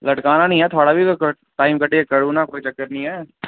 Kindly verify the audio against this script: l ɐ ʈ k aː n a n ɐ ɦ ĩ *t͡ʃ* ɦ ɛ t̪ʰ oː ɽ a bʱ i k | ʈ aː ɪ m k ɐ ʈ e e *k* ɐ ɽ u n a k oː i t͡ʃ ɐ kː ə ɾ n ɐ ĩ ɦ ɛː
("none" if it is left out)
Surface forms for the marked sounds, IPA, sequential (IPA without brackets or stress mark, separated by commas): none, k